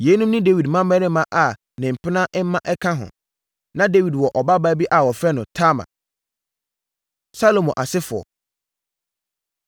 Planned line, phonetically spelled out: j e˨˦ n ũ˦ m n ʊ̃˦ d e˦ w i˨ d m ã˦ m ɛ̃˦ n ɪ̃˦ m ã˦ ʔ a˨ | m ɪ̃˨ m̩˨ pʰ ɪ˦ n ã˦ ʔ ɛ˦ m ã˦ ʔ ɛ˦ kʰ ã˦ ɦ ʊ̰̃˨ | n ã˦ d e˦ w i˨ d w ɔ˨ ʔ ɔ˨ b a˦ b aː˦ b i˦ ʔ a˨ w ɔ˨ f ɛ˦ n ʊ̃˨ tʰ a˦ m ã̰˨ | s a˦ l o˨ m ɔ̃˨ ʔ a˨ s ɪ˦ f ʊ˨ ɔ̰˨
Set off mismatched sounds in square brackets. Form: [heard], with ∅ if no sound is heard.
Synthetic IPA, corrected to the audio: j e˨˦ n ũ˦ m n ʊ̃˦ d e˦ w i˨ d m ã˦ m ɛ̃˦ n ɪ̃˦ m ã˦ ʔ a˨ | [n] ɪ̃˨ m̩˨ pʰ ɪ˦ n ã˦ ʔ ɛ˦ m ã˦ ʔ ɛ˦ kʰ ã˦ ɦ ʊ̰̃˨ | n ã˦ d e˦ w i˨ d w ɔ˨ ʔ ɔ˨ b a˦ b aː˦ b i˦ ʔ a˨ w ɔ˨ f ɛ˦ n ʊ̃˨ tʰ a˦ m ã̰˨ | s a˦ l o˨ m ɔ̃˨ ʔ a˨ s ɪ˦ f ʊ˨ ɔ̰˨